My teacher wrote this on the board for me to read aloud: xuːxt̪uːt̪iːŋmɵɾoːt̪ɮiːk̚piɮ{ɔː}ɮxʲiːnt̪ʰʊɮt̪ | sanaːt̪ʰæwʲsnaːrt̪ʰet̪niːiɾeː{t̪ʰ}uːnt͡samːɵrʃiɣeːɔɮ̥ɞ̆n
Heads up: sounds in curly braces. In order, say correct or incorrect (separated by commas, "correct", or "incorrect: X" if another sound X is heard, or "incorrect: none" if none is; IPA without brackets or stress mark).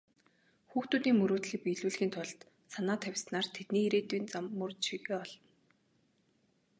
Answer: incorrect: uː, incorrect: t̪